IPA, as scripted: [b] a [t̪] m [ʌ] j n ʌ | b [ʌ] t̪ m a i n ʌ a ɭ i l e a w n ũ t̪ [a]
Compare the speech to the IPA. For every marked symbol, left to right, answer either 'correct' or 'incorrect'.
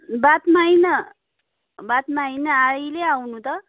correct, correct, incorrect: a, incorrect: a, incorrect: ʌ

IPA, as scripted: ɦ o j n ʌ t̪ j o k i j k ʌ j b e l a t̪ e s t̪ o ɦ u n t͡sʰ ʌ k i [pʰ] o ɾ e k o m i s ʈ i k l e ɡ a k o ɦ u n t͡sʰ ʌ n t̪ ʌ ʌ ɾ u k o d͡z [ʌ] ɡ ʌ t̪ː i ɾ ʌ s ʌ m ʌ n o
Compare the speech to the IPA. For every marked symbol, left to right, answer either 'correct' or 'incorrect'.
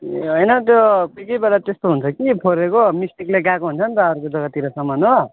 correct, correct

